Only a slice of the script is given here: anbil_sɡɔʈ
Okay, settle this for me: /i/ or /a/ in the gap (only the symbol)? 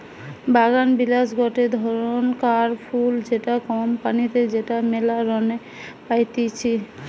a